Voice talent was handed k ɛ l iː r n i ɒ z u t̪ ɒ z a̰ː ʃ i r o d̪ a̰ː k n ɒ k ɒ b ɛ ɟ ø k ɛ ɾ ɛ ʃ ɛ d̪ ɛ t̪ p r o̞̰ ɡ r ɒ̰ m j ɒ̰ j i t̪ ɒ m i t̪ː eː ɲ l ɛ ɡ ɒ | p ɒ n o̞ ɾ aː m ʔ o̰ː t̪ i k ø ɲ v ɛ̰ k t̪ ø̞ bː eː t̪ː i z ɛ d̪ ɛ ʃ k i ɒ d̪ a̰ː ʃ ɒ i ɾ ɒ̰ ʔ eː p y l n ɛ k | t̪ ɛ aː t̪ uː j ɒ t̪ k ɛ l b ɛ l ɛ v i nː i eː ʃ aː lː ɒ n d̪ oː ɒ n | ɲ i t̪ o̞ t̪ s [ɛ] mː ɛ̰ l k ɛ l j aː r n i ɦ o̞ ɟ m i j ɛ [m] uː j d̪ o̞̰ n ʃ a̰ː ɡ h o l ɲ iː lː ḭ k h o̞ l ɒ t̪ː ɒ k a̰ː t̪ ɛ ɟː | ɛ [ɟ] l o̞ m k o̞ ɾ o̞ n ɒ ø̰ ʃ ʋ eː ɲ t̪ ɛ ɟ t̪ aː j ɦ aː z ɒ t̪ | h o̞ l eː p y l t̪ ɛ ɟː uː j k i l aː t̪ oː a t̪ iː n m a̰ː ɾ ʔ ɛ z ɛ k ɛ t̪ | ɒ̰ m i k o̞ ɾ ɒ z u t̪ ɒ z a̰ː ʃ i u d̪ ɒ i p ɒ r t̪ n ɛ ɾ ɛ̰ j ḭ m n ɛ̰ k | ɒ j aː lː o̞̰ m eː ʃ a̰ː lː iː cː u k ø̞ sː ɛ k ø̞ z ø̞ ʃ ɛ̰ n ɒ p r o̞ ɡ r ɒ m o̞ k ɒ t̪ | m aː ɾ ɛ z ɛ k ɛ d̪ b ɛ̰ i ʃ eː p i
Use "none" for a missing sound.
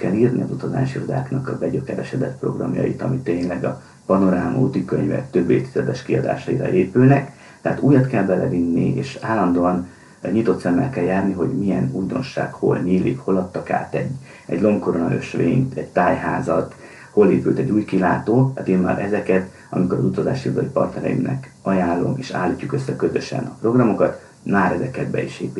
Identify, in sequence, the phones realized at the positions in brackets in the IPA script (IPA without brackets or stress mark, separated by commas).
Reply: ɛ, n, ɟ